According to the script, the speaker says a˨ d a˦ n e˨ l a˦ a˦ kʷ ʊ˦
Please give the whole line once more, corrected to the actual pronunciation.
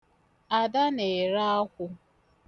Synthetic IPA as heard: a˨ d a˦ n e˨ ɾ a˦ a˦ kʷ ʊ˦